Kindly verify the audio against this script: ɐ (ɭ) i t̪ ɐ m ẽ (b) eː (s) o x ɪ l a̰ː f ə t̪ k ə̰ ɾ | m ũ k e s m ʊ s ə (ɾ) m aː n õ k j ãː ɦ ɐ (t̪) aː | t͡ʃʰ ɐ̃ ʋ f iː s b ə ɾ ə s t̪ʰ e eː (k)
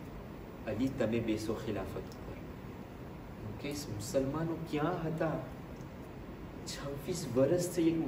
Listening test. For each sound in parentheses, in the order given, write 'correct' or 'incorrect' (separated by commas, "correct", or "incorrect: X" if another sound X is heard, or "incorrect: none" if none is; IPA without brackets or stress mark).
incorrect: l, correct, correct, incorrect: l, correct, correct